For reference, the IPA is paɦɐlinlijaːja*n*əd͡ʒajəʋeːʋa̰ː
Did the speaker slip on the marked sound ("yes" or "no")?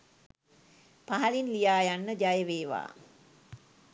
yes